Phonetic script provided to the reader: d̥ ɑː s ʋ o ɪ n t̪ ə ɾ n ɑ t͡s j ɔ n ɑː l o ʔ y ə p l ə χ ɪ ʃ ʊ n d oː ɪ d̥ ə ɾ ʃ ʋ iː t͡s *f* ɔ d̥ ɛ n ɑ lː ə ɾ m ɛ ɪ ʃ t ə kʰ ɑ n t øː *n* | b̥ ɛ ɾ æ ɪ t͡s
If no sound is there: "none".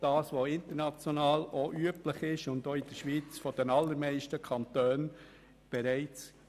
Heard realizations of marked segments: f, n

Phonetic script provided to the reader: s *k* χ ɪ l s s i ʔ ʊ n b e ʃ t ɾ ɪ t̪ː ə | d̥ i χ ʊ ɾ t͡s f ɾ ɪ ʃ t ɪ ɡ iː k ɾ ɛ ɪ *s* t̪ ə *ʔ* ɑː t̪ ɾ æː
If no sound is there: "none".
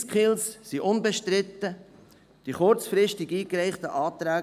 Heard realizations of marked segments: k, χ, ʔ

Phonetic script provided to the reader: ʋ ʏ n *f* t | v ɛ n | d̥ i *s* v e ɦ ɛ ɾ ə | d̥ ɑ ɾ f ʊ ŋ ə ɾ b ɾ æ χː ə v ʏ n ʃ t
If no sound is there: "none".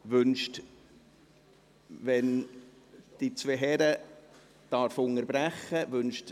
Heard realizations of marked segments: ʃ, t͡s

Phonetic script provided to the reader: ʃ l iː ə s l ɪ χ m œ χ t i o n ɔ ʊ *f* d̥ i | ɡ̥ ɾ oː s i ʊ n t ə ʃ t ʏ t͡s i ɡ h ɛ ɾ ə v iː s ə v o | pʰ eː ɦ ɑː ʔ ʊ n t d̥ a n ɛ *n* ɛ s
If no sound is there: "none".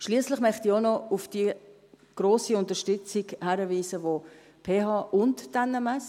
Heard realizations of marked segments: f, m

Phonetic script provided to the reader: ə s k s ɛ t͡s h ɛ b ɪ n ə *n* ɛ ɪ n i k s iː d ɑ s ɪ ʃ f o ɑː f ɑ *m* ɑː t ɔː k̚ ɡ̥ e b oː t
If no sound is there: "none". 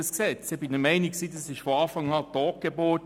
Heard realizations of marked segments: m, ŋ

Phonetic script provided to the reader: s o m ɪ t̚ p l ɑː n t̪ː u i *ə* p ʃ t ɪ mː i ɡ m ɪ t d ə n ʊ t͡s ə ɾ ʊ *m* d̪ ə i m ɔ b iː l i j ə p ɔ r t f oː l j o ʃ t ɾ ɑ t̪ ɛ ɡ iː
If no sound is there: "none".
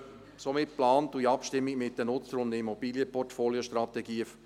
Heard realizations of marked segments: ɑ, n

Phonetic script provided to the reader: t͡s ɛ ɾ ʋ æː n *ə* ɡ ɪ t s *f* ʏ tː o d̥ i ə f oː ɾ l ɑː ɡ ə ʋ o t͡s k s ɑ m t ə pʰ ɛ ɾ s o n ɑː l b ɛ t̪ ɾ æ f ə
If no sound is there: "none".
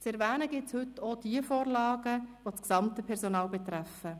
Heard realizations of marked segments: ə, h

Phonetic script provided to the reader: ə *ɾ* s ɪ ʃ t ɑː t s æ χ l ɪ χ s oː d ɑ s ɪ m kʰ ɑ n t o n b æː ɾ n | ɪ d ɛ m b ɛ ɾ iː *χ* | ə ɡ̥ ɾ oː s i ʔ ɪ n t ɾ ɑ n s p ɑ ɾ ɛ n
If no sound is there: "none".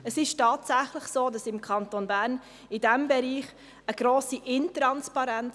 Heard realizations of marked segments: none, χ

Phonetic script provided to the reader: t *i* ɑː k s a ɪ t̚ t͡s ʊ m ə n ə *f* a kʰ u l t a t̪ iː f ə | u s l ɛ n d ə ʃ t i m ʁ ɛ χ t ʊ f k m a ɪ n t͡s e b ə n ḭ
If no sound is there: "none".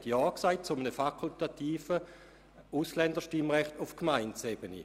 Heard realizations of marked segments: j, f

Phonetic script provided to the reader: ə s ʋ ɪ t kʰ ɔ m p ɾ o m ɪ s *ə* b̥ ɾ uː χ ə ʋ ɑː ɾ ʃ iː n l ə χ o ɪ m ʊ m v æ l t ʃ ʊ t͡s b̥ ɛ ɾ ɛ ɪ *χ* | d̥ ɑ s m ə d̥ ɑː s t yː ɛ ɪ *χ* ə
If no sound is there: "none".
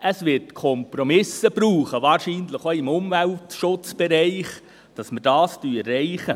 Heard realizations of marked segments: ə, χ, χ

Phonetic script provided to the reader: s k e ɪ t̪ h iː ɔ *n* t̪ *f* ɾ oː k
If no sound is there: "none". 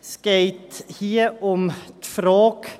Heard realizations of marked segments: m, f

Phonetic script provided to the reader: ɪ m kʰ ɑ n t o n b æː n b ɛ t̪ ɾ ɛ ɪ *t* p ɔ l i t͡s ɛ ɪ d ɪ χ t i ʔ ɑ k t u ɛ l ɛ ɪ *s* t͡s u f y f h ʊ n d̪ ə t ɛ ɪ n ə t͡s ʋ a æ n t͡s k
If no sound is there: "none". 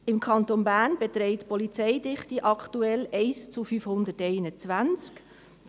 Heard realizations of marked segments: t, s

